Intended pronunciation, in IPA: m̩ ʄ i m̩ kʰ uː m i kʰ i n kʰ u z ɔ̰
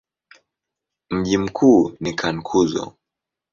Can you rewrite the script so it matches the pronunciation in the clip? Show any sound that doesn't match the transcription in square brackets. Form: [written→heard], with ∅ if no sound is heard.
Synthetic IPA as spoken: m̩ ʄ i m̩ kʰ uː [m→n] i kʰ [i→a] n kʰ u z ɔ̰